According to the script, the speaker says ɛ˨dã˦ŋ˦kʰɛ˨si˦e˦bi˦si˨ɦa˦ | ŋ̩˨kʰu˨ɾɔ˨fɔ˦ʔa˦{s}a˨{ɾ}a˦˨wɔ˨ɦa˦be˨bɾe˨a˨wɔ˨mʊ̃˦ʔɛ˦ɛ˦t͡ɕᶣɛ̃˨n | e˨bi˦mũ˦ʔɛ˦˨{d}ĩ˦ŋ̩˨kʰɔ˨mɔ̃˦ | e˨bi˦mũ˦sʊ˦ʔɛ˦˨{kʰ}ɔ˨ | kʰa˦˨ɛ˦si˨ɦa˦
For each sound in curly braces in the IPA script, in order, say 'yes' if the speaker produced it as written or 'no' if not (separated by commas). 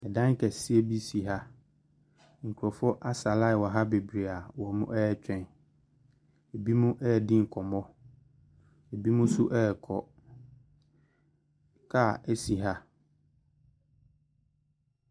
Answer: yes, no, yes, yes